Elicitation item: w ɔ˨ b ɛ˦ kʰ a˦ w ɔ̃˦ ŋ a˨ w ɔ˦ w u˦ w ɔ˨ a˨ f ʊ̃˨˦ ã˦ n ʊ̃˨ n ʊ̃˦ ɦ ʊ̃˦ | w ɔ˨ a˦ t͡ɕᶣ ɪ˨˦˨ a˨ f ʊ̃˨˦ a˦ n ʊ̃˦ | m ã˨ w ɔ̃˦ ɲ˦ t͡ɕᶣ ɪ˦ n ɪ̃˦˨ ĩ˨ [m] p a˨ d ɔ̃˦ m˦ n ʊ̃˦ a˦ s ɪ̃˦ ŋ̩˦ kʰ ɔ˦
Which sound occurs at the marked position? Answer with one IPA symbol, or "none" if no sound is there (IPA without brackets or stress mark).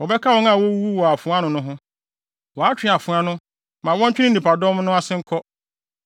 none